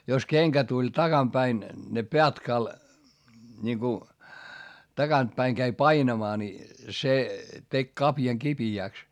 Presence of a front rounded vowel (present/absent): absent